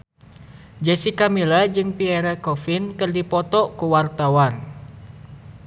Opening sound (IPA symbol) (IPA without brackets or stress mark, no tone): d͡ʒ